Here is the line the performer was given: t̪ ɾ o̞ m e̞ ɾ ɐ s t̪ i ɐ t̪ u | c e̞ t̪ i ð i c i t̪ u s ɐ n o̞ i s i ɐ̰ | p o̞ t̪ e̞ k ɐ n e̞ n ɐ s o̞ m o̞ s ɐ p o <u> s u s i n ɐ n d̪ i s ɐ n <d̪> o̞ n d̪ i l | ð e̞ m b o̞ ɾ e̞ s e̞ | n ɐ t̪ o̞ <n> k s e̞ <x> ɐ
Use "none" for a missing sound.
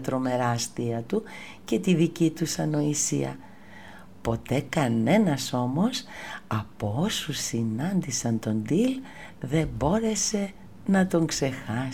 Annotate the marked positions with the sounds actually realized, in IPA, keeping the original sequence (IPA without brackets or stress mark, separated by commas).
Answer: o, t̪, ŋ, x